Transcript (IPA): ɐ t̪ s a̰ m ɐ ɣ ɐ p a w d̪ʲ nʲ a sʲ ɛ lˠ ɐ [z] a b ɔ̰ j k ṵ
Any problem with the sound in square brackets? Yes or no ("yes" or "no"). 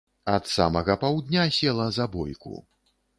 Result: no